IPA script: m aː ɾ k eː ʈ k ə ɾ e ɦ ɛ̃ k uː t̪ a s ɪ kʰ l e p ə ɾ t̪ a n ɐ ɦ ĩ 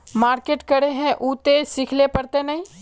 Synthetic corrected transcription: m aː ɾ k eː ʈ k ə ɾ e ɦ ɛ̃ ʔ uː t̪ e s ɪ kʰ l e p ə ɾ t̪ e n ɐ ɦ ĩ

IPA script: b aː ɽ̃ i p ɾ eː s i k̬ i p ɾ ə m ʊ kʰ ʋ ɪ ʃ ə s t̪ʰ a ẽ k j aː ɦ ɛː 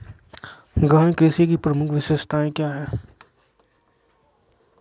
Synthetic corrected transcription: ɡ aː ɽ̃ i k ɾ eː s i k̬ i p ɾ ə m ʊ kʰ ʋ ɪ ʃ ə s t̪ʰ a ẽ k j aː ɦ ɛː

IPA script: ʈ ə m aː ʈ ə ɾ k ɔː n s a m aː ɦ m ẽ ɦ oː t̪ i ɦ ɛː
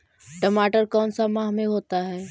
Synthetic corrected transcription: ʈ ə m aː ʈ ə ɾ k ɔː n s a m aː ɦ m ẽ ɦ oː t̪ a ɦ ɛː

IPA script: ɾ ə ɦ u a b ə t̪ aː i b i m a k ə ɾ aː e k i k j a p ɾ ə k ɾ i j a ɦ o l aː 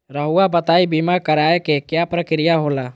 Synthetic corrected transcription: ɾ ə ɦ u a b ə t̪ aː i b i m a k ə ɾ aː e k e k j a p ɾ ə k ɾ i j a ɦ o l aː

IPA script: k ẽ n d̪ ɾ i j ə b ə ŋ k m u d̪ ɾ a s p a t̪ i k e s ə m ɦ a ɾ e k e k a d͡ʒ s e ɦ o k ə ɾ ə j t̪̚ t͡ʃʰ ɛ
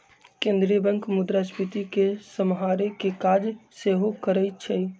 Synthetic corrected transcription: k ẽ n d̪ ɾ i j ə b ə ŋ k m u d̪ ɾ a s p i t̪ i k e s ə m ɦ a ɾ e k e k a d͡ʒ s e ɦ o k ə ɾ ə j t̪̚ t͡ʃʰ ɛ

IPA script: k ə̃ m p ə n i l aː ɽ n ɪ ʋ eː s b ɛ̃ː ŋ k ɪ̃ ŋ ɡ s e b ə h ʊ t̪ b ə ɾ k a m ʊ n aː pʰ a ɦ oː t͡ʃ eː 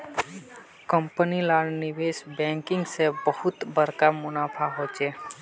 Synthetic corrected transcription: k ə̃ m p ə n i l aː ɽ n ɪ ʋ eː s b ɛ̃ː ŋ k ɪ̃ ŋ ɡ s e b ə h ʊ t̪ b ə ɾ k a m ʊ n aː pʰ a ɦ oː t͡ʃ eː

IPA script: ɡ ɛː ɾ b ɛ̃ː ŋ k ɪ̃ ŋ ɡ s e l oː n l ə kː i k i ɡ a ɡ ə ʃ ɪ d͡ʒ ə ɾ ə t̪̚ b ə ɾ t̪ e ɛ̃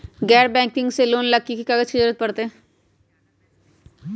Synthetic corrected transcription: ɡ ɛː ɾ b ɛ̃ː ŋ k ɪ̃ ŋ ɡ s e l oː n l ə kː i k i k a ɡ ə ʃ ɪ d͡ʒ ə ɾ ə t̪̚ p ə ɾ t̪ e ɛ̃

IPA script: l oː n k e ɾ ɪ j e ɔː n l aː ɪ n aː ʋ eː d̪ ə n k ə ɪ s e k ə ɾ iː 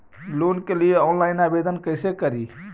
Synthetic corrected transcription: l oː n k e l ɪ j e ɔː n l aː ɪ n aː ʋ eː d̪ ə n k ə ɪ s e k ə ɾ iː

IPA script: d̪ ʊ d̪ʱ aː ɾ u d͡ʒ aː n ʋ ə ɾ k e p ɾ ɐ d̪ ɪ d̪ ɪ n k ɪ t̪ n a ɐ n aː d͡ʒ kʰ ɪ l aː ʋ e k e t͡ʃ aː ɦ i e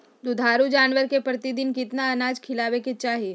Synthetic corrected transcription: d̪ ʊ d̪ʱ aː ɾ u d͡ʒ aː n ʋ ə ɾ k e p ɾ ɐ t̪ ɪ d̪ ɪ n k ɪ t̪ n a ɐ n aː d͡ʒ kʰ ɪ l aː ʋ e k e t͡ʃ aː ɦ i e

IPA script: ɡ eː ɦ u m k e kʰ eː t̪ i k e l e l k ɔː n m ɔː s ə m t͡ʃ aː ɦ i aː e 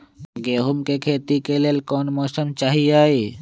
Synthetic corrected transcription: ɡ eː ɦ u m k e kʰ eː t̪ i k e l e l k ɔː n m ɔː s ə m t͡ʃ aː ɦ i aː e

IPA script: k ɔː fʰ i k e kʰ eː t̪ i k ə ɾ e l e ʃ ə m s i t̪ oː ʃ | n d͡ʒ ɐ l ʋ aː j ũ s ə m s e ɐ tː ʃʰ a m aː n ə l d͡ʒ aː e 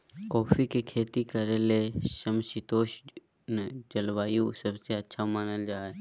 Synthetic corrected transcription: k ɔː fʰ i k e kʰ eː t̪ i k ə ɾ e l e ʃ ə m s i t̪ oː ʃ | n d͡ʒ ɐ l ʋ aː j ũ s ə b s e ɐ tː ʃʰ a m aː n ə l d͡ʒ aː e

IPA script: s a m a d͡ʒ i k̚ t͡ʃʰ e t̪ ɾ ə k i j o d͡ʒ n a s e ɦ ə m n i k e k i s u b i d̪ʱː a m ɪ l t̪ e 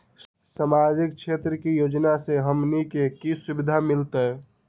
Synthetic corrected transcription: s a m a d͡ʒ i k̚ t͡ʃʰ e t̪ ɾ ə k i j o d͡ʒ n a s e ɦ ə m n i k e k i s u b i d̪ʱ a m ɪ l t̪ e

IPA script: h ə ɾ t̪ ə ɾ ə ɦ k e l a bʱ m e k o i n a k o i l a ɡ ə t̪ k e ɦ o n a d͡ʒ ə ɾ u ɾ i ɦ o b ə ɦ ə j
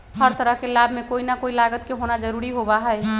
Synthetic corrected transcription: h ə ɾ t̪ ə ɾ ə ɦ k e l a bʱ m e k o i n a k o i l a ɡ ə t̪ k e ɦ o n a d͡ʒ ə ɾ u ɾ i ɦ o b a ɦ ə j

